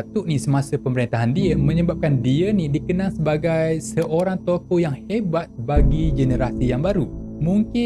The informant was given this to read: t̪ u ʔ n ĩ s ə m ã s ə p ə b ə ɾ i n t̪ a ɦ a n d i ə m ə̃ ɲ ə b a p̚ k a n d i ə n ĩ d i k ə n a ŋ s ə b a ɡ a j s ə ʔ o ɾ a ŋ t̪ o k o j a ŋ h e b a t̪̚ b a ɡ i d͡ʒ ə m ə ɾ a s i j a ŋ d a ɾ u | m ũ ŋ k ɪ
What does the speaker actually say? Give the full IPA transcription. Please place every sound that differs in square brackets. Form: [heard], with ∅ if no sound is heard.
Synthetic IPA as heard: t̪ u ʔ n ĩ s ə m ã s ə p ə [m] ə ɾ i n t̪ a ɦ a n d i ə m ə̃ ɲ ə b a p̚ k a n d i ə n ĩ d i k ə n a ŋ s ə b a ɡ a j s ə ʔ o ɾ a ŋ t̪ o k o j a ŋ h e b a t̪̚ b a ɡ i d͡ʒ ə [n] ə ɾ a s i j a ŋ [b] a ɾ u | m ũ ŋ k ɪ